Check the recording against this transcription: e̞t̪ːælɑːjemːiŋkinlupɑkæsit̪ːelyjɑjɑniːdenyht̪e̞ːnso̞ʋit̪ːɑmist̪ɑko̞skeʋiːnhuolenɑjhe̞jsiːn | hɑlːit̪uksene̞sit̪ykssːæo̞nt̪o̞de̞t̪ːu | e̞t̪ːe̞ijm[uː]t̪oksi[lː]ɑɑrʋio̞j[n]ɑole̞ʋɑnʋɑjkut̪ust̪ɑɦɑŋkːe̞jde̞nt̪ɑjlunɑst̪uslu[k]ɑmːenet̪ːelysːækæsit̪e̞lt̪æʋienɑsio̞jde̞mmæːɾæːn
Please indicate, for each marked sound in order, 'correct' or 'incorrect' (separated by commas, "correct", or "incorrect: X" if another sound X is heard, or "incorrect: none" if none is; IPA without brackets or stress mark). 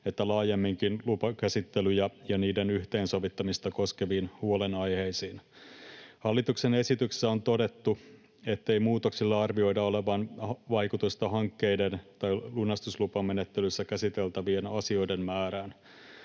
correct, correct, incorrect: d, incorrect: p